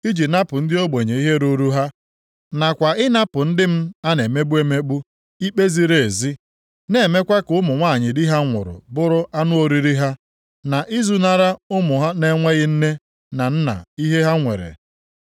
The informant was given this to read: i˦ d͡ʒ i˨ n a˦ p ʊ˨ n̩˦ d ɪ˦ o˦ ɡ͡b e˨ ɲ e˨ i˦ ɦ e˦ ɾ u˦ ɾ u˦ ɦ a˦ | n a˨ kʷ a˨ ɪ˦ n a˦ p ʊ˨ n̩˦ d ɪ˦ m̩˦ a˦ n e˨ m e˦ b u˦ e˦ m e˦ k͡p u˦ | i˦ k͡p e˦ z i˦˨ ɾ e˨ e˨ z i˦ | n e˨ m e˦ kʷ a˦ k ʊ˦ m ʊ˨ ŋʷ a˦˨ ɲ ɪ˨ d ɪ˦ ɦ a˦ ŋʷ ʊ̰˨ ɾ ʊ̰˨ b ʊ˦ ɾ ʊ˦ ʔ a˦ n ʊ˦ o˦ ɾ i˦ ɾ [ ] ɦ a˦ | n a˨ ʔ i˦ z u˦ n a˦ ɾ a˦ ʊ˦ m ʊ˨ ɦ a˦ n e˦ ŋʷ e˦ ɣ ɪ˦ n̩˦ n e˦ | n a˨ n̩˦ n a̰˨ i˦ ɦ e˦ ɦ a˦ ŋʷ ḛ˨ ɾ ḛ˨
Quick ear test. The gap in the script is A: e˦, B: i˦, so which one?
B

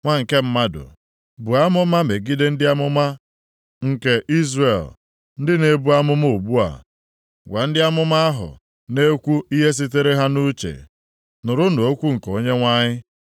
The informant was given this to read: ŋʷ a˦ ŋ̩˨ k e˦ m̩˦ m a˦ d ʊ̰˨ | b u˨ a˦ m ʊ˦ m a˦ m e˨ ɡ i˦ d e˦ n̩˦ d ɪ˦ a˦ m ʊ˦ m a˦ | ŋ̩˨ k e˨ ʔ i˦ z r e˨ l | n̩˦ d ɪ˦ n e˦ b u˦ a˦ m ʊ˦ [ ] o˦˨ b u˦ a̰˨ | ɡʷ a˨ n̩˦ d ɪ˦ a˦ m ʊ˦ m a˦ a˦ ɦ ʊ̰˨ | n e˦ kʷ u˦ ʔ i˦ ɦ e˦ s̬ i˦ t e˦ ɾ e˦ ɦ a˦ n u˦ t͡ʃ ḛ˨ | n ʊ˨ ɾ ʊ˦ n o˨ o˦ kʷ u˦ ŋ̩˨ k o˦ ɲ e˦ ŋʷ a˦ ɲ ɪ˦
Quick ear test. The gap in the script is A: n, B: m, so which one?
B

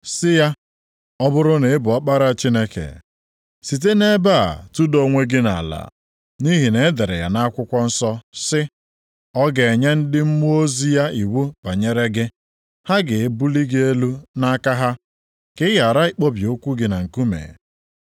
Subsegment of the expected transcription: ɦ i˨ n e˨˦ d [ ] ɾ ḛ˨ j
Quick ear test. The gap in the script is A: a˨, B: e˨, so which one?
B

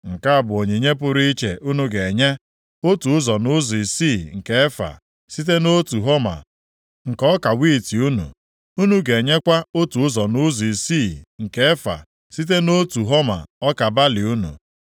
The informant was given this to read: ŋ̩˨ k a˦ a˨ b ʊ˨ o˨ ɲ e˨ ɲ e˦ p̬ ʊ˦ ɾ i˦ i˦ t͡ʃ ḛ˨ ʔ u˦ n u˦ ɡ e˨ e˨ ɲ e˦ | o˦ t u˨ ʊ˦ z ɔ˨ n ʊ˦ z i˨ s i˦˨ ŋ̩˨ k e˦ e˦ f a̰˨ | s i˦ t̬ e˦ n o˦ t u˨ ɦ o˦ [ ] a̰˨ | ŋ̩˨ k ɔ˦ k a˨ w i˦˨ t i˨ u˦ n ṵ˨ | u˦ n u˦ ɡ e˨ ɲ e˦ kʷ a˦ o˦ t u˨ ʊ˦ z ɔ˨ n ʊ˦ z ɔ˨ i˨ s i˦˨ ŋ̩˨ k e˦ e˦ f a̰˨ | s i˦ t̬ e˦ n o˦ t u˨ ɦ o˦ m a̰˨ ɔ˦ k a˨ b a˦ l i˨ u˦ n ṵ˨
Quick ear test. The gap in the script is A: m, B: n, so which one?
A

